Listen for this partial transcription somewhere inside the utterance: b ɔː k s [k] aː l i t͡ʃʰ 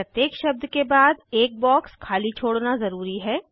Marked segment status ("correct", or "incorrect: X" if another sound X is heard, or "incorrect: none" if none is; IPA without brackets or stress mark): incorrect: kʰ